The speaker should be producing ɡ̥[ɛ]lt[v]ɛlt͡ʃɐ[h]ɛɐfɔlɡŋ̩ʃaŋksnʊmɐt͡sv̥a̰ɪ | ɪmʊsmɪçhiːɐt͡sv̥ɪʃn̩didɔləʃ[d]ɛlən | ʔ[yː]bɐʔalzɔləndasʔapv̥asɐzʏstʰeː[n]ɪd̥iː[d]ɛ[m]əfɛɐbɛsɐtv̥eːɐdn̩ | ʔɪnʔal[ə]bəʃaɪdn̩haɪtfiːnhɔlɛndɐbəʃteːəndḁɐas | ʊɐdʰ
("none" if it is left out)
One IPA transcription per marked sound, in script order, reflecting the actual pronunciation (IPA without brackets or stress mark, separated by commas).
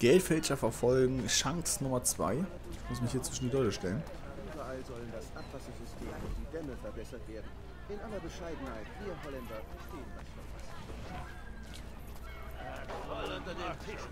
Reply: ɛ, f, f, t, yː, m, d, m, ɐ